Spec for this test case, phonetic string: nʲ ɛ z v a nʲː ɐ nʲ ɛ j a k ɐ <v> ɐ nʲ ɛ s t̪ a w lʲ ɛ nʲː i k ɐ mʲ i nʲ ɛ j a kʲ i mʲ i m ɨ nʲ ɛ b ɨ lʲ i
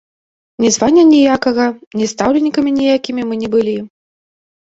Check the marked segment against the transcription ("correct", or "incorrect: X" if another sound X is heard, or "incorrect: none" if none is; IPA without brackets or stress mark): incorrect: ɣ